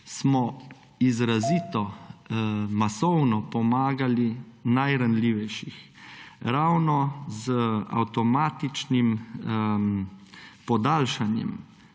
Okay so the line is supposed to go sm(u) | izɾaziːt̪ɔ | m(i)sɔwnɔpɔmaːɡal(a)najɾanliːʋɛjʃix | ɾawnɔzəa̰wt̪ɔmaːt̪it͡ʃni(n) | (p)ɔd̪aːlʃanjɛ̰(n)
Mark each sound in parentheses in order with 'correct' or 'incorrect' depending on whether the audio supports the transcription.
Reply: incorrect, incorrect, incorrect, incorrect, correct, incorrect

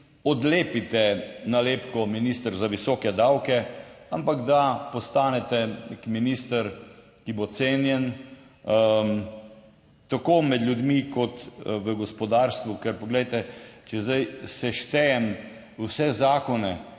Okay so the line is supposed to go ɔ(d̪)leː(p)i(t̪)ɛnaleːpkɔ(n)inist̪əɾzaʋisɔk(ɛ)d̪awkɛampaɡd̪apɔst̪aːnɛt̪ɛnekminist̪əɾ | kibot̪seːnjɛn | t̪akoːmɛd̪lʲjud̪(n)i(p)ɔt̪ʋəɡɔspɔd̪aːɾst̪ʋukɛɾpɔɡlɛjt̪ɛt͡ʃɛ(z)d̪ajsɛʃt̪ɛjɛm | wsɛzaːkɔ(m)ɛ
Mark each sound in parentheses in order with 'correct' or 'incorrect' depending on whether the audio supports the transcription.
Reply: correct, correct, correct, incorrect, correct, incorrect, incorrect, correct, incorrect

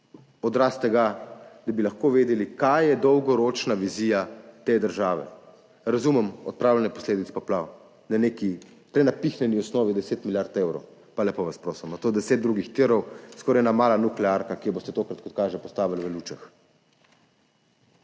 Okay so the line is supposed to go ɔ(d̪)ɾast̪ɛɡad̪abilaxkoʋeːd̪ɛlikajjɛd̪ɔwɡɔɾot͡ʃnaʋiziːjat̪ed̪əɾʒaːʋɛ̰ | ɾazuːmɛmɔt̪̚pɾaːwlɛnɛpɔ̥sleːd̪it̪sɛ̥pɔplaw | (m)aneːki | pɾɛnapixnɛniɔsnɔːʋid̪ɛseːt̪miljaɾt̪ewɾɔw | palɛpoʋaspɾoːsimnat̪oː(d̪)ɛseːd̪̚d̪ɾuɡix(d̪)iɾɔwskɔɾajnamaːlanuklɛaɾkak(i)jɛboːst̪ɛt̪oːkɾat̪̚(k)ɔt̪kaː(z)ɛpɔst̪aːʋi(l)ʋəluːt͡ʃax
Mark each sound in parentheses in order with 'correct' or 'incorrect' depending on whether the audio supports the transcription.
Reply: correct, incorrect, correct, incorrect, correct, correct, incorrect, correct

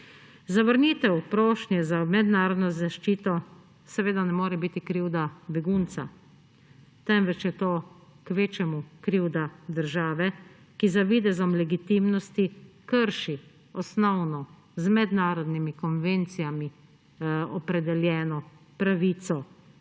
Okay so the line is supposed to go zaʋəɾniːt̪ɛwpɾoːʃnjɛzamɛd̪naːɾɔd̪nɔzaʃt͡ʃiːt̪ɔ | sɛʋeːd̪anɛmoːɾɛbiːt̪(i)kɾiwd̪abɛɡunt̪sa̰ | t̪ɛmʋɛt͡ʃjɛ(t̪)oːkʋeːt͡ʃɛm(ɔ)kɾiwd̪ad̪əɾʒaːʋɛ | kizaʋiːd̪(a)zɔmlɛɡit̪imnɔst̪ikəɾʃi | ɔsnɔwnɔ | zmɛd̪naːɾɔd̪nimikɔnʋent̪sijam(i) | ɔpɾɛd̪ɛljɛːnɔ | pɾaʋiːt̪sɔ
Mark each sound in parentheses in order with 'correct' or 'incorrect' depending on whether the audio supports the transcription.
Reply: correct, correct, incorrect, incorrect, correct

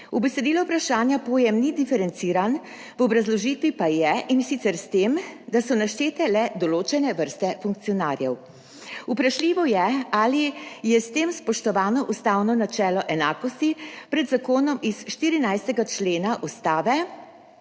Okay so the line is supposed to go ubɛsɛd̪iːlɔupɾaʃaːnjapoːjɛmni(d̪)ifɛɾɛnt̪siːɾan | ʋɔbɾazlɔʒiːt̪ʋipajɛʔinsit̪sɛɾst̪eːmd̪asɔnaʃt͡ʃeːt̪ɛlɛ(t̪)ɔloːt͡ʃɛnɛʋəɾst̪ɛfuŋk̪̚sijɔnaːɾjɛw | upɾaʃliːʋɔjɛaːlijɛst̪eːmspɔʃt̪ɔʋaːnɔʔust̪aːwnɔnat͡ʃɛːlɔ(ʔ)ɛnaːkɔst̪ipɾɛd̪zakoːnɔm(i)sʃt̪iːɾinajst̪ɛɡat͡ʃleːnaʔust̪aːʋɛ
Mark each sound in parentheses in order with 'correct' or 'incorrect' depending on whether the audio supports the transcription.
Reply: correct, incorrect, correct, correct

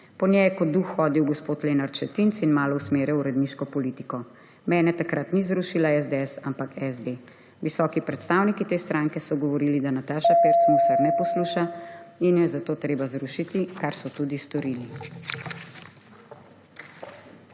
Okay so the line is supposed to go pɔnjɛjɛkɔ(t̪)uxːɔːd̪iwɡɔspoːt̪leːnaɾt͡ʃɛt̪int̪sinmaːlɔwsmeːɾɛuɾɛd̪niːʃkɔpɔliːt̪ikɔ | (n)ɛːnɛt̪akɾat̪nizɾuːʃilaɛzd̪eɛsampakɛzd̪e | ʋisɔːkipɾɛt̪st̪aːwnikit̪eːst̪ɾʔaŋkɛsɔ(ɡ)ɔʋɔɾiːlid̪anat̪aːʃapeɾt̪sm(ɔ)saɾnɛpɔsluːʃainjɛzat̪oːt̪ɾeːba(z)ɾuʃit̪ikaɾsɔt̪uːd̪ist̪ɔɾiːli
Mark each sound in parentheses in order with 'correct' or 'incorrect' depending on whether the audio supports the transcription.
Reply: incorrect, incorrect, correct, incorrect, correct

